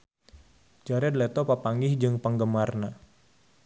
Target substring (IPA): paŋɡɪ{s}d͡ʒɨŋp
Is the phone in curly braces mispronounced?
yes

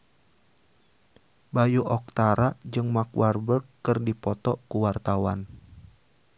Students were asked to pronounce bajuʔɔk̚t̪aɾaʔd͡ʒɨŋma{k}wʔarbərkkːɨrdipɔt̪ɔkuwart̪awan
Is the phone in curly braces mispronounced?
no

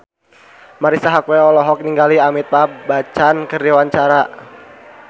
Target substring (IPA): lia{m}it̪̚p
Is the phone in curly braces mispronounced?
no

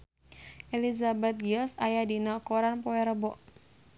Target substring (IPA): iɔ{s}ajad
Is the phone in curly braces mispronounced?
no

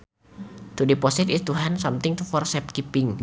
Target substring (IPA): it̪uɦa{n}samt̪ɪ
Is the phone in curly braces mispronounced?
no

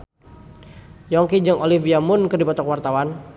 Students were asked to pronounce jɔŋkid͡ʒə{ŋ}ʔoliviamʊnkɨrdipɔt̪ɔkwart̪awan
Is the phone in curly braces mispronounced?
no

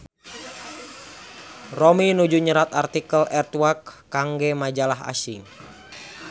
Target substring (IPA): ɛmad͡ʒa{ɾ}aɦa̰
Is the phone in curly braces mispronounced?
yes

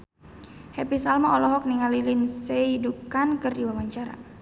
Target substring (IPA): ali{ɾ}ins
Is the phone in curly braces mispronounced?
yes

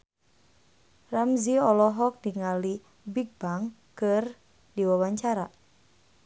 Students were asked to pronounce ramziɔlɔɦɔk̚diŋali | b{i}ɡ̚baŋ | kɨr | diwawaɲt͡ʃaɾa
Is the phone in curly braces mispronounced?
no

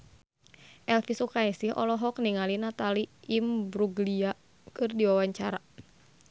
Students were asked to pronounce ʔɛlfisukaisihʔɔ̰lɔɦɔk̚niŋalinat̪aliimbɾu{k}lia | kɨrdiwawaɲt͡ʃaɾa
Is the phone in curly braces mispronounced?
yes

